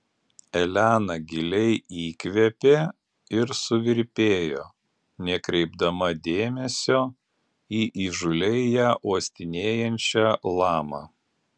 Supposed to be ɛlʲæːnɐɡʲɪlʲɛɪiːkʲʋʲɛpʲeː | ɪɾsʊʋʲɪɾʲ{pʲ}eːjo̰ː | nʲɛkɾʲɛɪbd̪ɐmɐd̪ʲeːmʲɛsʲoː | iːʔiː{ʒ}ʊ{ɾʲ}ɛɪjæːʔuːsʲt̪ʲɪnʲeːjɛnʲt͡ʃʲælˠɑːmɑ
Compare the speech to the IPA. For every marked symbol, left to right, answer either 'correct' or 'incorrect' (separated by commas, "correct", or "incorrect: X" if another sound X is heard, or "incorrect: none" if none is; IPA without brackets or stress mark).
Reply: correct, correct, incorrect: lʲ